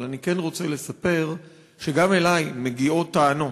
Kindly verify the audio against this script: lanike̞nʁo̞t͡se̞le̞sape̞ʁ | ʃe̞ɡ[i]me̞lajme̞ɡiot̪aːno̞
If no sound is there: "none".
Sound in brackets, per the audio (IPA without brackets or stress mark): a